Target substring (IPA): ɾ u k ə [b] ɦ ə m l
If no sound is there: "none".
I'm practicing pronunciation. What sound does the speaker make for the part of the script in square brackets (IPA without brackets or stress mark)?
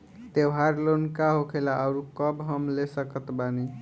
b